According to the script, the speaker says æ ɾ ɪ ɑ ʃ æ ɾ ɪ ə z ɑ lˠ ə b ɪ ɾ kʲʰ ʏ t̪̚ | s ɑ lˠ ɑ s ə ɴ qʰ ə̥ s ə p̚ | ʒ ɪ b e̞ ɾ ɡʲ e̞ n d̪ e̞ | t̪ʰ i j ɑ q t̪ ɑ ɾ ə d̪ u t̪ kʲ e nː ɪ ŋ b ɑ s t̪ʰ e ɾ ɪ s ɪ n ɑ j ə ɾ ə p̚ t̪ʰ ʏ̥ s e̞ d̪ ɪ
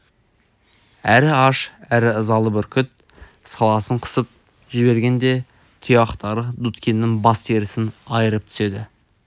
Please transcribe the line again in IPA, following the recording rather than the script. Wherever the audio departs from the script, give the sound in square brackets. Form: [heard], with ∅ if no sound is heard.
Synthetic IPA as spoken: æ ɾ ɪ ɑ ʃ æ ɾ ɪ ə z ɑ lˠ ə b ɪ ɾ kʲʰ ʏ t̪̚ | s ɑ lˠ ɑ s ə ɴ qʰ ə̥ s ə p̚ | ʒ ɪ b e̞ ɾ ɡʲ e̞ n d̪ e̞ | t̪ʰ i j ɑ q t̪ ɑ ɾ ə d̪ u t̪ kʲ e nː ɪ ŋ b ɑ s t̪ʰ e ɾ ɪ s ɪ n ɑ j ə ɾ ə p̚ t̪ʰ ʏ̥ s e̞ d̪ ɪ